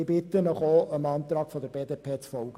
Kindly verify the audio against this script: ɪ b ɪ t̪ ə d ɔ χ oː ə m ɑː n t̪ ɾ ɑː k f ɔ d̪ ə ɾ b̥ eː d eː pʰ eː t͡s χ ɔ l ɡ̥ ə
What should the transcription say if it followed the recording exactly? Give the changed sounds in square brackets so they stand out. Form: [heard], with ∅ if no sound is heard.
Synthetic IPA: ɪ b ɪ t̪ ə [n] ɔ χ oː ə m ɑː n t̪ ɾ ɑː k f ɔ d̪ ə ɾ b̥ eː d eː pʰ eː t͡s [f] ɔ l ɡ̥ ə